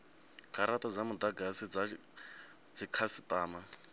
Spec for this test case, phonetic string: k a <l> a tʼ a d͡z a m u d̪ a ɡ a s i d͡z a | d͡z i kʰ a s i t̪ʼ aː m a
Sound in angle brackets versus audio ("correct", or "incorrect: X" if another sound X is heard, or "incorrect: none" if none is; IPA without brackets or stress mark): incorrect: ɾ